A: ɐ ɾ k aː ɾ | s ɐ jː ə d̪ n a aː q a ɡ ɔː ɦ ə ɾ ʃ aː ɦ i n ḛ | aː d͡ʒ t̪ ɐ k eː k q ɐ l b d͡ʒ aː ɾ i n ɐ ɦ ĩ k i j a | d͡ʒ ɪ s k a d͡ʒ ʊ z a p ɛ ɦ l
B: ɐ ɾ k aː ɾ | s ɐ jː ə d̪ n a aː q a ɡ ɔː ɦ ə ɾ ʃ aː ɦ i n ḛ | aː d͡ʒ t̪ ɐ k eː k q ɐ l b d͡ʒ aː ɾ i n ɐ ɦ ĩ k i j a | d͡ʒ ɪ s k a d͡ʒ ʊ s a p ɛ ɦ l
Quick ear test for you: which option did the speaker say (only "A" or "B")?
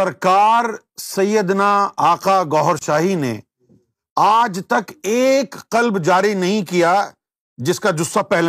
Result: B